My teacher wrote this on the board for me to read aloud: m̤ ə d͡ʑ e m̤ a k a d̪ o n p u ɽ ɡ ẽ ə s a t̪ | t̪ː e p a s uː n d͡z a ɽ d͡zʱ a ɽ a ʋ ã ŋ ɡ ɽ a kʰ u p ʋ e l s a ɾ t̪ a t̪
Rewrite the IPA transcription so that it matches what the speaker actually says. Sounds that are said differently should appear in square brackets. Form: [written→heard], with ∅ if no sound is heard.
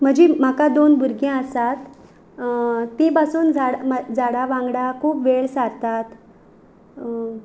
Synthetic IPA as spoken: m̤ ə d͡ʑ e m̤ a k a d̪ o n [p→b] u [ɽ→ɾ] ɡ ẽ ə s a t̪ | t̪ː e p a s uː n d͡z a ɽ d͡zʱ a ɽ a ʋ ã ŋ ɡ ɽ a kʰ [u→uː] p ʋ e [l→ɭ] s a ɾ t̪ a t̪